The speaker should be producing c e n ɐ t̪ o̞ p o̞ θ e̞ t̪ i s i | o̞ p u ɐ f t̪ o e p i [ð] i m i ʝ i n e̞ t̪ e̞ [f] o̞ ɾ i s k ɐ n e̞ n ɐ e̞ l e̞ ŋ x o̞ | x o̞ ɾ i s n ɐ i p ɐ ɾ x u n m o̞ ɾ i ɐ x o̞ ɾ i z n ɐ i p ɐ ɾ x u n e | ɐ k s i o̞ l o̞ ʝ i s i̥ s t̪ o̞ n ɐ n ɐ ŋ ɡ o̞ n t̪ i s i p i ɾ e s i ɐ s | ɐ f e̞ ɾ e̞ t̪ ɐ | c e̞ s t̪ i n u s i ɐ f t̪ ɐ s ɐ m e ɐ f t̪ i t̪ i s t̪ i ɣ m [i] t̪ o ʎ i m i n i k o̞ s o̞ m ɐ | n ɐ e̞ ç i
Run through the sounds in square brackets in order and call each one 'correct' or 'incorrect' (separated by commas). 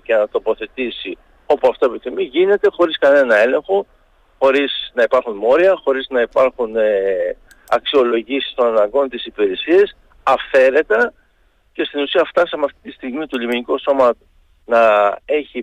incorrect, incorrect, correct